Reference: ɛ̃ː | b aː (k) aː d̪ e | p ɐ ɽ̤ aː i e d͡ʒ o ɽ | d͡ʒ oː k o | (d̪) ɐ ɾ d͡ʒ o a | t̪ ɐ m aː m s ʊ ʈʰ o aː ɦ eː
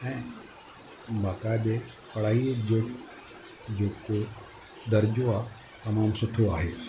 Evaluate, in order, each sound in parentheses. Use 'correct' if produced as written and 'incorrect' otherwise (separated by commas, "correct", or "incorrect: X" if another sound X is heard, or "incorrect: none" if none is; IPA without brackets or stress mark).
correct, correct